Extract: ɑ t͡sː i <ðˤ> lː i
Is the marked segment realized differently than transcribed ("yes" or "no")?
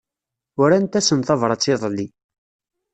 no